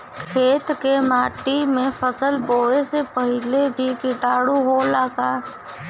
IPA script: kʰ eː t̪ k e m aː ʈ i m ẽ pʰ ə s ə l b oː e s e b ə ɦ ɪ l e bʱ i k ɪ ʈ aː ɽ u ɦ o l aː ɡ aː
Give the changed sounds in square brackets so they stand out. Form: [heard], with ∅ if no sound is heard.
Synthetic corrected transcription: kʰ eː t̪ k e m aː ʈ i m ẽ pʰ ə s ə l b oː e s e [p] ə ɦ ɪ l e bʱ i k ɪ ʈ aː ɽ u ɦ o l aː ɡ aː